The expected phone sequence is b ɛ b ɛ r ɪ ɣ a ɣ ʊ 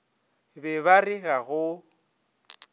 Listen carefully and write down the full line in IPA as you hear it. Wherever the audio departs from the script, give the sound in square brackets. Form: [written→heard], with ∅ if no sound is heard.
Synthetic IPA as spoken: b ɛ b [ɛ→a] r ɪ ɣ a ɣ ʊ